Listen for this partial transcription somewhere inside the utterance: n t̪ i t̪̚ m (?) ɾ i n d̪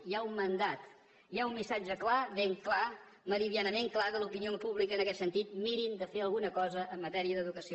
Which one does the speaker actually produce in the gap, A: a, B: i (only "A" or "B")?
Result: B